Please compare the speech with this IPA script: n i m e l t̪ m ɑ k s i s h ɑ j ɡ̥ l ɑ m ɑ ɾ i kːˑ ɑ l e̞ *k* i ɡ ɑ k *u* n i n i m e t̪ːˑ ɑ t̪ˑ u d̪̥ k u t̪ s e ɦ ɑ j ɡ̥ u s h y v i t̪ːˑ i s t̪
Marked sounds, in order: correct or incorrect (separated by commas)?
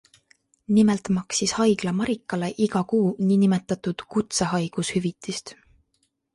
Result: incorrect, incorrect